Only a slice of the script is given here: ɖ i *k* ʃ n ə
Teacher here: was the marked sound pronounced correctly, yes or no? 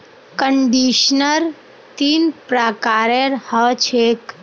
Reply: no